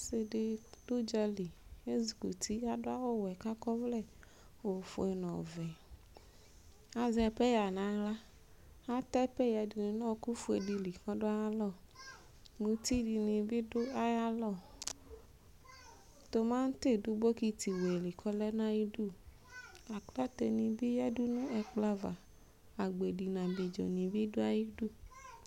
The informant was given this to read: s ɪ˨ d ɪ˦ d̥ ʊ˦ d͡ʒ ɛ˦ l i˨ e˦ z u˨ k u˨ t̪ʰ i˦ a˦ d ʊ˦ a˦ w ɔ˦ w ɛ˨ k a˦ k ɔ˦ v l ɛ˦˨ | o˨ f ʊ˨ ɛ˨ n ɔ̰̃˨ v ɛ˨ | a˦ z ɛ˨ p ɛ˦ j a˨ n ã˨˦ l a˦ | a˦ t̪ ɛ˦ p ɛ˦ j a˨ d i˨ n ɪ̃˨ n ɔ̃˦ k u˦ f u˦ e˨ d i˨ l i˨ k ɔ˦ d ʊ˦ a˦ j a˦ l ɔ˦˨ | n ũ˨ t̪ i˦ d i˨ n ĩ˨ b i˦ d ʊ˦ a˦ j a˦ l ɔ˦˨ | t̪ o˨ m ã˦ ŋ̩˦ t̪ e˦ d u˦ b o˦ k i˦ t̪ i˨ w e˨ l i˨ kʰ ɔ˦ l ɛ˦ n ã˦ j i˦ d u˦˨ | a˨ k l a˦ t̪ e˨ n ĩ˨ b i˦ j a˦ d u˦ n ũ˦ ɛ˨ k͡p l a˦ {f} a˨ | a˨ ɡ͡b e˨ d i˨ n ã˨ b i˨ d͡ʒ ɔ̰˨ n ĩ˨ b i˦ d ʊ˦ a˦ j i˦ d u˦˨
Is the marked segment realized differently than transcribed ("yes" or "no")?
yes